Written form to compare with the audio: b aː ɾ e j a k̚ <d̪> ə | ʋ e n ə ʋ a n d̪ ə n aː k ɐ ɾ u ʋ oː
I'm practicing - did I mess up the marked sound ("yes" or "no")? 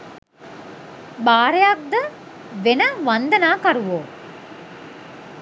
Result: no